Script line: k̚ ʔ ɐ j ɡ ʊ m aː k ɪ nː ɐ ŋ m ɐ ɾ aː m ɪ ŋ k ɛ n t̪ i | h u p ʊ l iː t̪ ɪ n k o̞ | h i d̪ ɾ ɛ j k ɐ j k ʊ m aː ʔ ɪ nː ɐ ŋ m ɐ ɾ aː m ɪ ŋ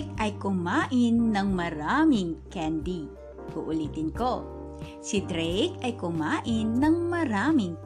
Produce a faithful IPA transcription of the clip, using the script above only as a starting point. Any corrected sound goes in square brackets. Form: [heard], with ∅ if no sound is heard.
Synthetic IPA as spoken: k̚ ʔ ɐ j [k] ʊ m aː [ʔ] ɪ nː ɐ ŋ m ɐ ɾ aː m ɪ ŋ k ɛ n [d̪] i | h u [ʔ] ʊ l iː t̪ ɪ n k o̞ | [s] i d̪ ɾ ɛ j k ɐ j k ʊ m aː ʔ ɪ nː ɐ ŋ m ɐ ɾ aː m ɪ ŋ